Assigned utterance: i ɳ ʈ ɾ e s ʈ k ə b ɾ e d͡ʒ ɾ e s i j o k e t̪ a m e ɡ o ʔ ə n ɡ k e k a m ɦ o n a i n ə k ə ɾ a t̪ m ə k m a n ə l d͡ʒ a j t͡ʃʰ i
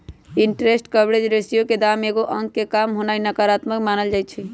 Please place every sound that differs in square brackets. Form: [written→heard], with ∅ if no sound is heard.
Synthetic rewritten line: i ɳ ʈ ɾ e s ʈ k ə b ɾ e d͡ʒ ɾ e s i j o k e [t̪→d̪] a m e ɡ o ʔ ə [n→ŋ] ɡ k e k a m ɦ o n a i n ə k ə ɾ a t̪ m ə k m a n ə l d͡ʒ a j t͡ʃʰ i